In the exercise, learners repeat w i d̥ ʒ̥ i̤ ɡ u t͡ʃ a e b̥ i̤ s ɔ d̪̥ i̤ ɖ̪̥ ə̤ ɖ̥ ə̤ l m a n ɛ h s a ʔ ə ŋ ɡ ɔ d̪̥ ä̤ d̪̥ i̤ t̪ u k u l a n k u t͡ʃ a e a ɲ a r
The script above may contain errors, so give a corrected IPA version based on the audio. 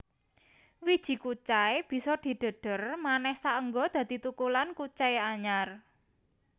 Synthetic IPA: w i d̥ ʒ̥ i̤ k u t͡ʃ a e b̥ i̤ s ɔ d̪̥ i̤ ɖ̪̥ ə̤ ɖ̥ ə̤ r m a n ɛ h s a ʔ ə ŋ ɡ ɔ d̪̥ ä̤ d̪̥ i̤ t̪ u k u l a n k u t͡ʃ a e a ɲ a r